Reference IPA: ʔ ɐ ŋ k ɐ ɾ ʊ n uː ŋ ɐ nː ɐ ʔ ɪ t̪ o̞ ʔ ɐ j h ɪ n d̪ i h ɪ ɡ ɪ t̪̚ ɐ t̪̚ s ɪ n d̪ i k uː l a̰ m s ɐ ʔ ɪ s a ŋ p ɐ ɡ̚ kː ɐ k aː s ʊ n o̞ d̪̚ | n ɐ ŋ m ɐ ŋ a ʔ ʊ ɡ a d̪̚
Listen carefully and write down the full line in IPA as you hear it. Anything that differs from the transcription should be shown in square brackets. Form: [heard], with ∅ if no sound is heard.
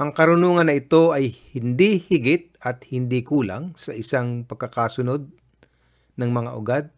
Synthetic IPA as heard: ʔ ɐ ŋ k ɐ ɾ ʊ n uː ŋ ɐ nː ɐ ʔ ɪ t̪ o̞ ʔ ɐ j h ɪ n d̪ i h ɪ ɡ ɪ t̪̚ ɐ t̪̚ [h] ɪ n d̪ i k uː l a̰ [ŋ] s ɐ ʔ ɪ s a ŋ p ɐ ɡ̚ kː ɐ k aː s ʊ n o̞ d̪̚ | n ɐ ŋ m ɐ ŋ a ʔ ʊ ɡ a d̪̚